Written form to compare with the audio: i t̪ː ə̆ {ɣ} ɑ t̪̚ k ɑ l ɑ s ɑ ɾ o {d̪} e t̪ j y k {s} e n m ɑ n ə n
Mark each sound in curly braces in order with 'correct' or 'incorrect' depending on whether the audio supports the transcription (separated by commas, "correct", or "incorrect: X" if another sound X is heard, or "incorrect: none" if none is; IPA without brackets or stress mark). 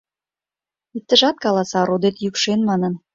incorrect: ʒ, correct, incorrect: ʃ